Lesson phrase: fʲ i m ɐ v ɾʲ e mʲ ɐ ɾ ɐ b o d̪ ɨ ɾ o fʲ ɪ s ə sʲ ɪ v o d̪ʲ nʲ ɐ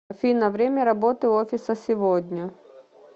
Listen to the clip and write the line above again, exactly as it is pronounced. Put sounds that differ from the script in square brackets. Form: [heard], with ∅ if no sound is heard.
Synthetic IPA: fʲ i [n] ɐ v ɾʲ e mʲ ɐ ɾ ɐ b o [t̪] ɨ [∅] o fʲ ɪ s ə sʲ ɪ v o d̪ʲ nʲ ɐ